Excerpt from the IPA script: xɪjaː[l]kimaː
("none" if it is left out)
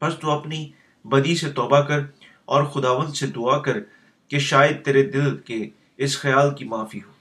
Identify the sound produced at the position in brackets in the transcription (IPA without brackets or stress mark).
l